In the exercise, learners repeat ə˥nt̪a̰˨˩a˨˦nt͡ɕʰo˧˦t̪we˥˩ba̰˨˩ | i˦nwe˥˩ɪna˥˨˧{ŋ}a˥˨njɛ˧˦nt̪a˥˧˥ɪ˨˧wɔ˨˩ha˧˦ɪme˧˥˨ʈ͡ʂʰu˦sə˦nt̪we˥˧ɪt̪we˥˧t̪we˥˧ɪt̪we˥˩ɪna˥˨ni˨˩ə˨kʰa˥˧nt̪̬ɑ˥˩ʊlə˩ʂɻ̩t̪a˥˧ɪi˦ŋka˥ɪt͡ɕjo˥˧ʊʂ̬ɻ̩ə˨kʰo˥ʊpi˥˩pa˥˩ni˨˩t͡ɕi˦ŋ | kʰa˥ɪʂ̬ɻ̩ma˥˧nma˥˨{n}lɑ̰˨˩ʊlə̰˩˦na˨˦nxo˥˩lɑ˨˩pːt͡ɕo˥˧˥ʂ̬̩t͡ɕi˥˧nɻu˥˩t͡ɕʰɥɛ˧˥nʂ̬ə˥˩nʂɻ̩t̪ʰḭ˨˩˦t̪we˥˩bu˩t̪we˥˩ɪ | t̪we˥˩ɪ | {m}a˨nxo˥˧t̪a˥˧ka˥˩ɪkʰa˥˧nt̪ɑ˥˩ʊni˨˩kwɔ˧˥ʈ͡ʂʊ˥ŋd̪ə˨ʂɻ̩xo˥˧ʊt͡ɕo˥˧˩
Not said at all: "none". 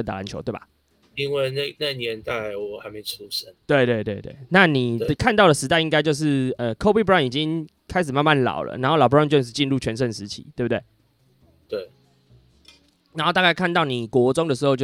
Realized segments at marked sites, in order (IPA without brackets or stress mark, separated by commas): n, n, n